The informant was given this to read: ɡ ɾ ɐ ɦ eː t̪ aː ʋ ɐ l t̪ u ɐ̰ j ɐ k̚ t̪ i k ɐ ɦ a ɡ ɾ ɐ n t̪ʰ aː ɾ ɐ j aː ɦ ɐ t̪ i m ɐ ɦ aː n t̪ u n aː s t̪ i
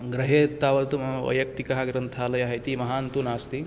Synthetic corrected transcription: ɡ ɾ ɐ ɦ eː t̪ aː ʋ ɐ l t̪ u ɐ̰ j ɐ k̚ t̪ i k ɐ ɦ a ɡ ɾ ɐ n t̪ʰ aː l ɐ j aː ɦ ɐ t̪ i m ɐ ɦ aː n t̪ u n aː s t̪ i